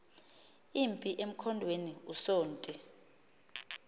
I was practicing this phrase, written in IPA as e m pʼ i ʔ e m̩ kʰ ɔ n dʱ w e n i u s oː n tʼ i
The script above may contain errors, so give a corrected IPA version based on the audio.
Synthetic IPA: i m pʼ i ʔ e m̩ kʰ ɔ n dʱ w e n i u s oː n tʼ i